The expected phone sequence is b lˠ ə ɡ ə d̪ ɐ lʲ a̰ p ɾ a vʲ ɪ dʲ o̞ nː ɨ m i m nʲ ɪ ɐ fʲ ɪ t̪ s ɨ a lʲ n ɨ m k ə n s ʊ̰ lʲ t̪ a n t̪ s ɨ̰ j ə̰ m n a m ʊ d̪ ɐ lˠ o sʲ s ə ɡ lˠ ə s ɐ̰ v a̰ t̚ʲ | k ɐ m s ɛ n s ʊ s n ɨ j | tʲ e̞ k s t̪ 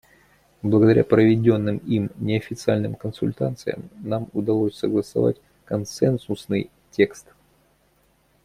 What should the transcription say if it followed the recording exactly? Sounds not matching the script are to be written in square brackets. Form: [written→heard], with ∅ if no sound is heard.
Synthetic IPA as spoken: b lˠ ə ɡ ə d̪ ɐ [lʲ→ɾʲ] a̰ p ɾ [a→ə] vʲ ɪ dʲ o̞ nː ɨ m i m nʲ ɪ ɐ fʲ ɪ t̪ s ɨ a lʲ n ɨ m k ə n s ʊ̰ lʲ t̪ a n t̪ s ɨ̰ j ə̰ m n a m ʊ d̪ ɐ lˠ o sʲ s ə ɡ lˠ ə s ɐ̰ v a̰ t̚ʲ | k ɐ [m→n] s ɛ n s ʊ s n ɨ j | tʲ e̞ k s t̪